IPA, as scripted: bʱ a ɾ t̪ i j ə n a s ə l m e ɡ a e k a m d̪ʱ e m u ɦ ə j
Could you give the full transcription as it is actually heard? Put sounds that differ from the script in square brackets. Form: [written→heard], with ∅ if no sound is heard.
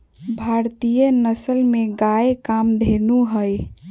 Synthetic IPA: bʱ a ɾ t̪ i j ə n [a→ə] s ə l m e ɡ a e k a m d̪ʱ e [m→n] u ɦ ə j